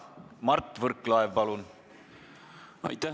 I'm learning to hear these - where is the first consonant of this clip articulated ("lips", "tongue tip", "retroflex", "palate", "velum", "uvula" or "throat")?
lips